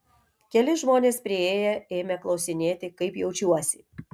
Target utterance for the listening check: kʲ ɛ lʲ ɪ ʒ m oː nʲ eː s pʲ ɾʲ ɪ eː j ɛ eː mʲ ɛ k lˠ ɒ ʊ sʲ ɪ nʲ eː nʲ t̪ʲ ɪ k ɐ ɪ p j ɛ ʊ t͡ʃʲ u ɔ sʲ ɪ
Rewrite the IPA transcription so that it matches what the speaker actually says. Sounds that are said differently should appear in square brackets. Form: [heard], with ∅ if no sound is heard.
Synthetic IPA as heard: kʲ ɛ lʲ ɪ ʒ m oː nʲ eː s pʲ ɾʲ ɪ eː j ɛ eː mʲ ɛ k lˠ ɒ ʊ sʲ ɪ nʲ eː [∅] t̪ʲ ɪ k ɐ ɪ p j ɛ ʊ t͡ʃʲ u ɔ sʲ ɪ